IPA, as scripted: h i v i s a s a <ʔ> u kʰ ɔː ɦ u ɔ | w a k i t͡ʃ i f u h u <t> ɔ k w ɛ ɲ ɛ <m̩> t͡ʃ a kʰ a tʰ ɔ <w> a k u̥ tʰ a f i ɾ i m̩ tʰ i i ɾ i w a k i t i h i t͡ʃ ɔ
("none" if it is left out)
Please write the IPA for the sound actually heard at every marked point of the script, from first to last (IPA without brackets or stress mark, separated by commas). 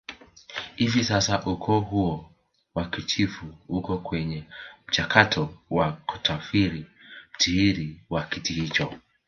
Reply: ʔ, k, m̩, w